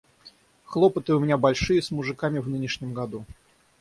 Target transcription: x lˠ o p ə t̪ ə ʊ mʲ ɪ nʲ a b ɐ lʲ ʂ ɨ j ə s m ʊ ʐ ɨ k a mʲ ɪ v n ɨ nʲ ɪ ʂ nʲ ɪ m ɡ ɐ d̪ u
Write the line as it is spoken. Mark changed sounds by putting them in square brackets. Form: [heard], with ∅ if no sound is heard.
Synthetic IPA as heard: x lˠ o p ə t̪ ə ʊ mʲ ɪ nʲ a b ɐ lʲ ʂ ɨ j ə s m ʊ ʐ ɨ k a mʲ ɪ v n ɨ nʲ ɪ ʂ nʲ ɪ m ɡ ɐ d̪ u